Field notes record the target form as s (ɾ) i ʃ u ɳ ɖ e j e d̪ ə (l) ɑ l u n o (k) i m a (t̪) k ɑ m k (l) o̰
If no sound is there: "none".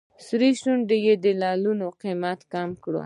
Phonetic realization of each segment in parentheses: ɾ, l, q, t̪, ɽ

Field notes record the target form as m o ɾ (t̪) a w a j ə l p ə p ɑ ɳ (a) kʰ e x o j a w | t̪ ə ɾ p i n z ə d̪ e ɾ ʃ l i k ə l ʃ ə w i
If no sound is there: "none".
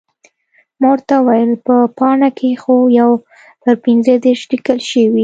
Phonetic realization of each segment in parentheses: t̪, a

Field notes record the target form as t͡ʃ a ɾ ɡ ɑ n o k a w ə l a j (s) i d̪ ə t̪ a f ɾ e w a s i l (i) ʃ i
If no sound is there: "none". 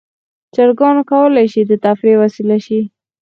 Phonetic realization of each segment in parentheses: ʃ, a

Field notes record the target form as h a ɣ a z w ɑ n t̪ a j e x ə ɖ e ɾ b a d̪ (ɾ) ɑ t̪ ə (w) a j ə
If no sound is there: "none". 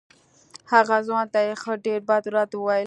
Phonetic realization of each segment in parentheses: ɾ, w

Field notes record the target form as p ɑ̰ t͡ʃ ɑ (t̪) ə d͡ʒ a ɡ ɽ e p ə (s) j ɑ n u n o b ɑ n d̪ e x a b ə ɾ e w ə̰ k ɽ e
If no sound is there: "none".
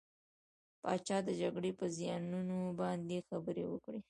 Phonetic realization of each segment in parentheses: d̪, z

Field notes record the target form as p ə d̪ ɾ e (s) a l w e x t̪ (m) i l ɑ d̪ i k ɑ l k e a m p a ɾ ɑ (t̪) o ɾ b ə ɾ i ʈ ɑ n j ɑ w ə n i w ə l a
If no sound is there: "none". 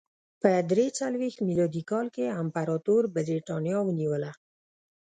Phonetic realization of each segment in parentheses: t͡s, m, t̪

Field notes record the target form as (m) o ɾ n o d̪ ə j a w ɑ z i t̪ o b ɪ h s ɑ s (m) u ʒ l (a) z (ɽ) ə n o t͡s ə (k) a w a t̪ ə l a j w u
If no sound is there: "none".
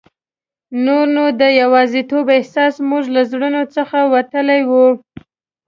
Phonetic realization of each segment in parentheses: n, m, a, ɽ, x

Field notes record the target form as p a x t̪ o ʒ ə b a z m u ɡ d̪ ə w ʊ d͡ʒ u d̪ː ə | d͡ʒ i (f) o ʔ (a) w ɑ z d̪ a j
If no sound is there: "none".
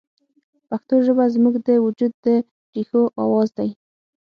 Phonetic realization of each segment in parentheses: x, ɑ

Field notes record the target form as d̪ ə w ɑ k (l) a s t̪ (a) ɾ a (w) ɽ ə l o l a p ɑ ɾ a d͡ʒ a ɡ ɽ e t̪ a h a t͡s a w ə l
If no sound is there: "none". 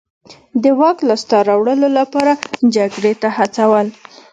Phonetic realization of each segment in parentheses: l, ɑ, w

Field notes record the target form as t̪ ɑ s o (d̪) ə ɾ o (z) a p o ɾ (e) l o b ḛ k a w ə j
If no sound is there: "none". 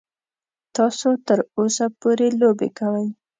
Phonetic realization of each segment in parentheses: t̪, s, e

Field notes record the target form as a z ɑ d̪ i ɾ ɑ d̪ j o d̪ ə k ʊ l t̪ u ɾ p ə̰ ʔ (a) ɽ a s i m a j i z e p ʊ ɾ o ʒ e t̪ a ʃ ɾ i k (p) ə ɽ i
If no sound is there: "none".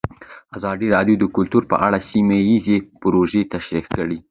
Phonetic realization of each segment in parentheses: a, k

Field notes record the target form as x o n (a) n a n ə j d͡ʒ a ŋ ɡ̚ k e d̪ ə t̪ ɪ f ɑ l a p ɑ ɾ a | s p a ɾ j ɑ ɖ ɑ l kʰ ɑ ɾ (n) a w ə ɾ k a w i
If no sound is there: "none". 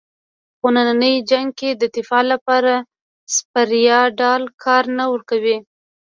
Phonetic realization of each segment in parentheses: a, n

